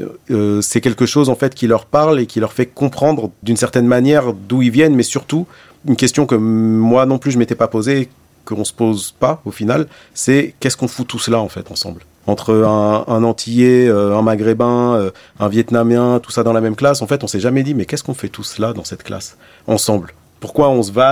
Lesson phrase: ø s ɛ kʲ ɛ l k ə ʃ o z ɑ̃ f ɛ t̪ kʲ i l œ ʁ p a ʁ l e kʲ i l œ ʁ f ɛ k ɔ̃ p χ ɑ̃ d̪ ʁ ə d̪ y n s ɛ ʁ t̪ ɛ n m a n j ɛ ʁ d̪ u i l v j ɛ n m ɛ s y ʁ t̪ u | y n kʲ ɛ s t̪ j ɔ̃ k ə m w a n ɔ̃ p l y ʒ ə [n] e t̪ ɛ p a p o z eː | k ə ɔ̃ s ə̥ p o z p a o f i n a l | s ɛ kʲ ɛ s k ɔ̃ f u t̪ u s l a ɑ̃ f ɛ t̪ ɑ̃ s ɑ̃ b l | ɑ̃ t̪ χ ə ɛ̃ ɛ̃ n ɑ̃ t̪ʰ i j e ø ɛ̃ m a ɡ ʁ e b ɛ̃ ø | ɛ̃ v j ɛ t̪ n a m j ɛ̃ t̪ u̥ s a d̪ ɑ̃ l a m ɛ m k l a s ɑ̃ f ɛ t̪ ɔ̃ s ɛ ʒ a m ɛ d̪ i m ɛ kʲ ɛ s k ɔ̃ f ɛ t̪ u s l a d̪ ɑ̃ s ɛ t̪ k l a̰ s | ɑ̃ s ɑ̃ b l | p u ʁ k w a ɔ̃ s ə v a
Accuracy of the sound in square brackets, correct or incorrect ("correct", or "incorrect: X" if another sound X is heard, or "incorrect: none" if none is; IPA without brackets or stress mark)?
incorrect: m